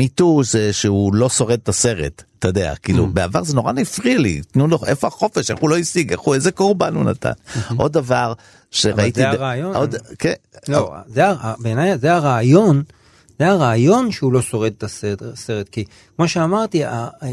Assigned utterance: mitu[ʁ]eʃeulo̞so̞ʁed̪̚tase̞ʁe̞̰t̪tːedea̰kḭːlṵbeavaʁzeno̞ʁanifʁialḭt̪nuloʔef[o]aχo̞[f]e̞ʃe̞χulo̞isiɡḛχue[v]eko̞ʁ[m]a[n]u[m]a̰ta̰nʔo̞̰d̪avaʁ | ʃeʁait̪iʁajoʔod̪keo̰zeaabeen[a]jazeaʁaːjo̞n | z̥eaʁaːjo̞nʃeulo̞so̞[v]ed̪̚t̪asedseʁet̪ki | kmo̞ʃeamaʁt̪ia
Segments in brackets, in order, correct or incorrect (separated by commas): incorrect, correct, correct, incorrect, incorrect, correct, incorrect, correct, incorrect